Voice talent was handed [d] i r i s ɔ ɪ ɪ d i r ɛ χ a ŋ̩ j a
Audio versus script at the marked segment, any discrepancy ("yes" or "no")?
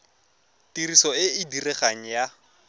yes